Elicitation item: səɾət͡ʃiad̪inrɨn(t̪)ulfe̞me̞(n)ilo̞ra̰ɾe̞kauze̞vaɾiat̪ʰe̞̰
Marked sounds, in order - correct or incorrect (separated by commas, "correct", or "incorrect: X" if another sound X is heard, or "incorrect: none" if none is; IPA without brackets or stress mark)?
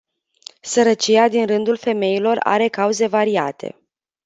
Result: incorrect: d̪, incorrect: none